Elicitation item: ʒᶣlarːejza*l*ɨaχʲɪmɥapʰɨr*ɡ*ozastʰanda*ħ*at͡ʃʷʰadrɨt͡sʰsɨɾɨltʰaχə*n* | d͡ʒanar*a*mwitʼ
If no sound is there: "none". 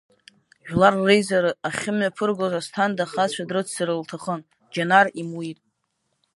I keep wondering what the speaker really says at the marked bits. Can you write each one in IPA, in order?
ɾ, ɡ, χ, n, i

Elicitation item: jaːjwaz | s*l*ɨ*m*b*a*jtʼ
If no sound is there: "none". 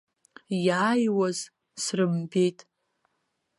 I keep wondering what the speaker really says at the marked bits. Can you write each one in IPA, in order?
r, m, e

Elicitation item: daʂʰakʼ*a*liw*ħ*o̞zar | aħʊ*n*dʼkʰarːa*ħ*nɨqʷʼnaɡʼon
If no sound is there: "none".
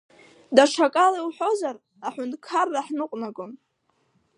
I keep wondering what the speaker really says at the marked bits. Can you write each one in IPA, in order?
a, ħ, n, ħ

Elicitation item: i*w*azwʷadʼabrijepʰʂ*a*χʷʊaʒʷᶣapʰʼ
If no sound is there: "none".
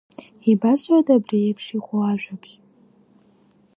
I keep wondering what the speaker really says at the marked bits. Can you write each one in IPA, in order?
b, i

